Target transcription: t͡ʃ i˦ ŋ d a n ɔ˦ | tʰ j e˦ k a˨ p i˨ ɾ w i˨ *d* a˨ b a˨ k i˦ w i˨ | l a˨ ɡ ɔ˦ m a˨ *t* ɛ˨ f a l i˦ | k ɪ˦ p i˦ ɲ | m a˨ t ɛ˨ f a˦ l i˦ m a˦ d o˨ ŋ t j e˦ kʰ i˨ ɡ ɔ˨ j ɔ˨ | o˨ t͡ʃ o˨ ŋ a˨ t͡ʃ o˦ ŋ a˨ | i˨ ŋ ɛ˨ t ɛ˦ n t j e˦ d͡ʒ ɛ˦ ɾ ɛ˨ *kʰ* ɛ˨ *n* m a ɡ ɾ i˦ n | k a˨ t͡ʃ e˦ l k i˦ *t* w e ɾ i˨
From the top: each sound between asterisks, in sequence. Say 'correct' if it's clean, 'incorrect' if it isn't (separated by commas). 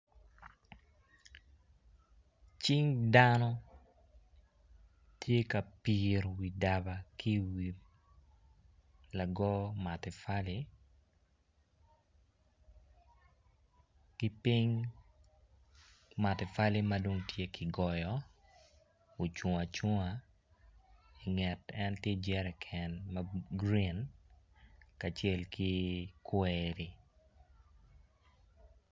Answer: correct, correct, correct, correct, incorrect